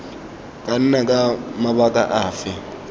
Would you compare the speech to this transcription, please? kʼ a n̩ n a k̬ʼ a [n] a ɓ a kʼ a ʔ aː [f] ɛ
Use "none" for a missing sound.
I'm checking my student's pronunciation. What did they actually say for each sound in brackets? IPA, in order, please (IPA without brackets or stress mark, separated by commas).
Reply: m, f